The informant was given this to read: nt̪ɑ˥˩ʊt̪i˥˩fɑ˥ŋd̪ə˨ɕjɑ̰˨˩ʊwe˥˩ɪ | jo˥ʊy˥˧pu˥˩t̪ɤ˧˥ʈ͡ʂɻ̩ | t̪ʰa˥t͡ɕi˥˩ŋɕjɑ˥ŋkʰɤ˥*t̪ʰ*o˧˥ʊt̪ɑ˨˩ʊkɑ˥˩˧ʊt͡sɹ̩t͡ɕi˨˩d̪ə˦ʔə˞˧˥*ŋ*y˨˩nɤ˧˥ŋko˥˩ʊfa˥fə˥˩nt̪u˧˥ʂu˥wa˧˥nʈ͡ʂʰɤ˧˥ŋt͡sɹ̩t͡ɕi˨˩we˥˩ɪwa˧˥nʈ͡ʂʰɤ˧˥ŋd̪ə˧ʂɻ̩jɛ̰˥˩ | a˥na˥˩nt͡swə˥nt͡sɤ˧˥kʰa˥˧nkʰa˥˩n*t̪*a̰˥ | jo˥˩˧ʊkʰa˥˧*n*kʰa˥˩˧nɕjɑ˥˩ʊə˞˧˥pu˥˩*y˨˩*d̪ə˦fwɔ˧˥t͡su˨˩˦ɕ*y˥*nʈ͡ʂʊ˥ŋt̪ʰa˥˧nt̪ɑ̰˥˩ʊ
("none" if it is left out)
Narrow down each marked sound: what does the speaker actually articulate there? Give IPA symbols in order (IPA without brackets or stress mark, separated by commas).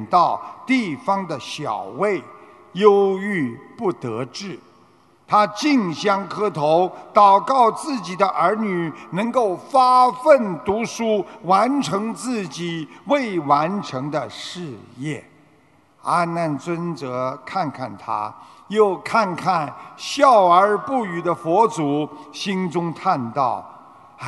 t̪ʰ, n, t̪ʰ, n, y˨˩, i˥